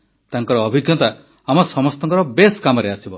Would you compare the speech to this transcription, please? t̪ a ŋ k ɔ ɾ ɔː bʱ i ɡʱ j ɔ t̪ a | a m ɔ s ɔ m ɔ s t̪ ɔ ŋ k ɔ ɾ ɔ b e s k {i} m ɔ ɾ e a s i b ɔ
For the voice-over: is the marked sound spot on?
no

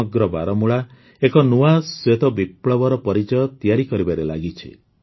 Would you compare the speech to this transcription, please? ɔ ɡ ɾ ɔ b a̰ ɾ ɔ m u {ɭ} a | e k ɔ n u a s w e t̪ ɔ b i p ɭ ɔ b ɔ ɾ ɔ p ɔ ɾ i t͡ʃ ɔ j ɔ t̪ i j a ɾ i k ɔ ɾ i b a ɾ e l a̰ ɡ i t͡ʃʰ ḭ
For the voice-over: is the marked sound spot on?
yes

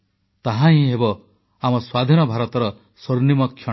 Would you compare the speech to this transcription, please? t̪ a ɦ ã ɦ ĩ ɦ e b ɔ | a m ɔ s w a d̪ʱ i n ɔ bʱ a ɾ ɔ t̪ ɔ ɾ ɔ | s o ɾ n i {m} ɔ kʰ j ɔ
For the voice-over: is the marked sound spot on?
yes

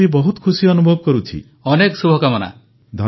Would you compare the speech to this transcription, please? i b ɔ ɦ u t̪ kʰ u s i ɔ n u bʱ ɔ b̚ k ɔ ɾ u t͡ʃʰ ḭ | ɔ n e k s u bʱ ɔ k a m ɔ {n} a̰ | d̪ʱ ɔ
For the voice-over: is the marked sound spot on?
yes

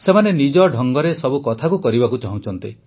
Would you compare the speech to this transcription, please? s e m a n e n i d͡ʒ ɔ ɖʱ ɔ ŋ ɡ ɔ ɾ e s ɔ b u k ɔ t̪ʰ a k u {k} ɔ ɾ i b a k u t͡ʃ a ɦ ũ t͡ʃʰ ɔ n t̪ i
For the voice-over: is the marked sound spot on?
yes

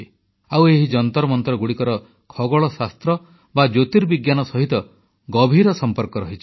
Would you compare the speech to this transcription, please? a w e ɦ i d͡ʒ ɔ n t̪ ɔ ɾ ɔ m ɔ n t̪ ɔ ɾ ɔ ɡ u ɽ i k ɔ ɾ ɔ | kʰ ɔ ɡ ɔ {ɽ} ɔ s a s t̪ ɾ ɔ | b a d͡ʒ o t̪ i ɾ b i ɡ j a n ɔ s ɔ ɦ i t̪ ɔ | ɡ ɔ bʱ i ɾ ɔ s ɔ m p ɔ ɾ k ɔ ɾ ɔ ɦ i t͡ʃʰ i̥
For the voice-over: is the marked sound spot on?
no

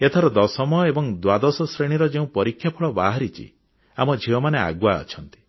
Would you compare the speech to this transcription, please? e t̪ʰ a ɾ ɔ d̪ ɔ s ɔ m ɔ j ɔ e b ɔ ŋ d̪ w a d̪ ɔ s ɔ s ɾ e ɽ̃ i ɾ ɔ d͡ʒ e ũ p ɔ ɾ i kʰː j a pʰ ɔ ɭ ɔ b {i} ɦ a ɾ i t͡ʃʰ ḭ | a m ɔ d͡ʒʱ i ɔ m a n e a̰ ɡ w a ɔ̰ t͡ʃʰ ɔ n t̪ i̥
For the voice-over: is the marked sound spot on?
no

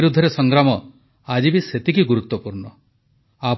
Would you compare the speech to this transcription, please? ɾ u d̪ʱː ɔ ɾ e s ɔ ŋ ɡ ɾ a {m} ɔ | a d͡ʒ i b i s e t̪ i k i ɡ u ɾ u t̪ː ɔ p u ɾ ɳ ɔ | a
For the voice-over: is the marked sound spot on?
yes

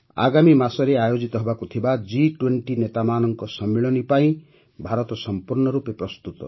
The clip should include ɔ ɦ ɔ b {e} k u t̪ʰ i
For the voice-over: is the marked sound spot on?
no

